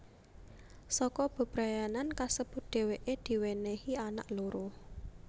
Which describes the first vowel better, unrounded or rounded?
rounded